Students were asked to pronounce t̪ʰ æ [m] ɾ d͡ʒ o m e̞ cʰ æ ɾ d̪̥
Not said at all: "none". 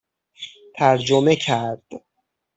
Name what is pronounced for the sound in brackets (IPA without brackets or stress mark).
none